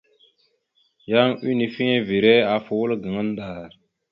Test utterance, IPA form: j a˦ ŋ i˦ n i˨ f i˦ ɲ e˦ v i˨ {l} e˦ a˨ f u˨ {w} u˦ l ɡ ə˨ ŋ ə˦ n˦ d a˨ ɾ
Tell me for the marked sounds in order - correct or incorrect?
incorrect: ɾ, correct

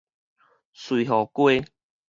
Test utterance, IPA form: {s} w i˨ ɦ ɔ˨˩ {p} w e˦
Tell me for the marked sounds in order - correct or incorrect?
correct, incorrect: k

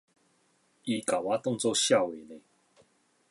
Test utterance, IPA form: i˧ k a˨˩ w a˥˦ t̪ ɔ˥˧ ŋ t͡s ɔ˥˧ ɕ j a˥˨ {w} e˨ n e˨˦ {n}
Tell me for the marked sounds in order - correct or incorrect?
correct, incorrect: none

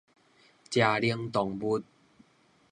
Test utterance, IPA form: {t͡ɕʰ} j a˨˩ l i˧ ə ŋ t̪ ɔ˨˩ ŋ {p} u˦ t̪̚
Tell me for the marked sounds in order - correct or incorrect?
incorrect: t͡ɕ, incorrect: b

